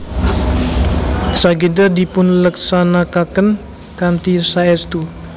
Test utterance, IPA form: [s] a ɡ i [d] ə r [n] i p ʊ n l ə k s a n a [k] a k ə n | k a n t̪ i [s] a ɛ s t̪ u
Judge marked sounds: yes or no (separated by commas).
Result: yes, yes, no, yes, yes